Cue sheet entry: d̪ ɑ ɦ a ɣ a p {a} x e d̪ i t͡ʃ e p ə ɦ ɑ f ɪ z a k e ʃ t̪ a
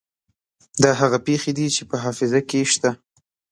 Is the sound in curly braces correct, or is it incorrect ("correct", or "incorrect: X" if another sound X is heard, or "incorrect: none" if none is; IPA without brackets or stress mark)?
incorrect: e